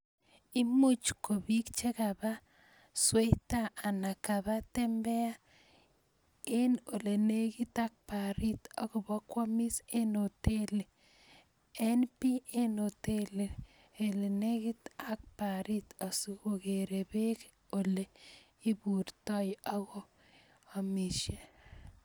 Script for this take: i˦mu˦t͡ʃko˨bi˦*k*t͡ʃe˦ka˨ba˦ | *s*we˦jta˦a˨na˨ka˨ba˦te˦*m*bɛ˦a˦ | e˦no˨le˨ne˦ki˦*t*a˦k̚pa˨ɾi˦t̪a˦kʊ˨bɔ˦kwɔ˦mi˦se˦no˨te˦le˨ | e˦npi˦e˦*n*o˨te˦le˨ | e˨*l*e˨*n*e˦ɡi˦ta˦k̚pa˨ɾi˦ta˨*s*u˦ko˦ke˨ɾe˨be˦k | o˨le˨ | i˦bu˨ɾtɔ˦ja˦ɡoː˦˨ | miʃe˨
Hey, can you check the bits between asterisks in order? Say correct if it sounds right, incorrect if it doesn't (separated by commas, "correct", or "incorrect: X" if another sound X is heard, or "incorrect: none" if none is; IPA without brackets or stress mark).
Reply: correct, correct, correct, correct, correct, correct, correct, correct